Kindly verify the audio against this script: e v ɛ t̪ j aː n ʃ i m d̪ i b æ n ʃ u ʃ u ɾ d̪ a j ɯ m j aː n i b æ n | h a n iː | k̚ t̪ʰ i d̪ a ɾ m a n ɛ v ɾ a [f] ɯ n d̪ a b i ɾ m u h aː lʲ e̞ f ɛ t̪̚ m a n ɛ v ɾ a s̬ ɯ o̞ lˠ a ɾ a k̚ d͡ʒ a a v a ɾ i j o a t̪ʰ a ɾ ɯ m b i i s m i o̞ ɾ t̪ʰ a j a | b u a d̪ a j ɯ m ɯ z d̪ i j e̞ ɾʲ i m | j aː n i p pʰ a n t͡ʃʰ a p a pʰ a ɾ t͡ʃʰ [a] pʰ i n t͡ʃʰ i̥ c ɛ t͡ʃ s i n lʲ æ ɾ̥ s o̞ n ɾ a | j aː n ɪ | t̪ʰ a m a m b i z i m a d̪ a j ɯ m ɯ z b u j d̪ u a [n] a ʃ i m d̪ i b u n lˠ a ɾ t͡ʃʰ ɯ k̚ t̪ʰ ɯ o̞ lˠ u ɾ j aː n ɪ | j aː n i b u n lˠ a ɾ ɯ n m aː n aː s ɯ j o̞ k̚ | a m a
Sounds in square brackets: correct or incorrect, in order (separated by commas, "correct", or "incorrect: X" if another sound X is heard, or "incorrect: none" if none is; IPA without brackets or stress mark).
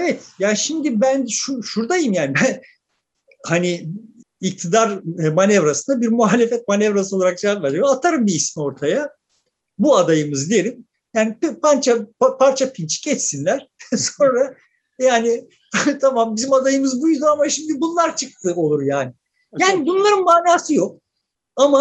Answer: incorrect: s, correct, incorrect: m